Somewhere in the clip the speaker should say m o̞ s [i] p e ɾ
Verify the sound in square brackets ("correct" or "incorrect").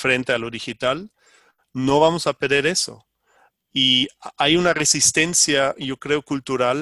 incorrect